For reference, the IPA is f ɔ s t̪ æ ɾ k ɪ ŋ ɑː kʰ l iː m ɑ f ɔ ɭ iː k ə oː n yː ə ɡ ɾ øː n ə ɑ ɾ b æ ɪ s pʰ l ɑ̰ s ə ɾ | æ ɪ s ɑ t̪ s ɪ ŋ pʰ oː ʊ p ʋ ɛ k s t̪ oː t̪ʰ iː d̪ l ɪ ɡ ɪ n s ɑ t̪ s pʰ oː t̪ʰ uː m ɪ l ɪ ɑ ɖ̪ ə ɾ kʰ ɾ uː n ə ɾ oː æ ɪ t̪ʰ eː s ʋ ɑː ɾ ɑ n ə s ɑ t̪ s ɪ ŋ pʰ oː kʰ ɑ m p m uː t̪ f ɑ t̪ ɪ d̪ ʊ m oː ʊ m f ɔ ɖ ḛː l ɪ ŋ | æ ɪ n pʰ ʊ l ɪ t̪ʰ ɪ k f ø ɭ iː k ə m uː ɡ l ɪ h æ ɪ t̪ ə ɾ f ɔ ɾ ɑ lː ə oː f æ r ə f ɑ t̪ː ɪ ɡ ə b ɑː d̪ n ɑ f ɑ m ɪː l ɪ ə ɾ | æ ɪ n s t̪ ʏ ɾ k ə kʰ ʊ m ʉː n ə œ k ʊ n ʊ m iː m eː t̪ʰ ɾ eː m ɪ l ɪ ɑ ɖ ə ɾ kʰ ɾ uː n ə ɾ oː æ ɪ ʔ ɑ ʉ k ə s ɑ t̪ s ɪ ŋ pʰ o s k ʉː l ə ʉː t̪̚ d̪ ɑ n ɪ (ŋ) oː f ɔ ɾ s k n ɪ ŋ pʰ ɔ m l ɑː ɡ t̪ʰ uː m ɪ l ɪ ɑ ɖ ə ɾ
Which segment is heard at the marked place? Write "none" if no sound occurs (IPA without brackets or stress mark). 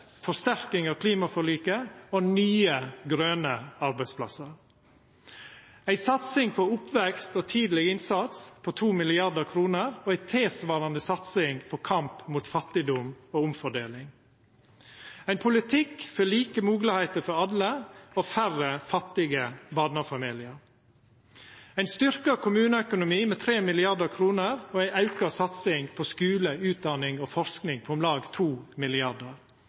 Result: ŋ